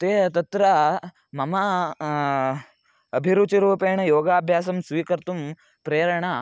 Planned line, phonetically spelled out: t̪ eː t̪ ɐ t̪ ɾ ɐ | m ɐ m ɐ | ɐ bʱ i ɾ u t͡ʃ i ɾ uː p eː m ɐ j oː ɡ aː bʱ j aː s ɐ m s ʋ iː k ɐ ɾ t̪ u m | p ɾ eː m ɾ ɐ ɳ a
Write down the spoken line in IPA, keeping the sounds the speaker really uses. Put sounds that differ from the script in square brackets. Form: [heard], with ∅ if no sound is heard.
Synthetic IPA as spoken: t̪ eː t̪ ɐ t̪ ɾ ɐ | m ɐ m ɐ | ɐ bʱ i ɾ u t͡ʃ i ɾ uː p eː [ɳ] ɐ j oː ɡ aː bʱ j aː s ɐ m s ʋ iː k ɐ ɾ t̪ u m | p ɾ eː [∅] ɾ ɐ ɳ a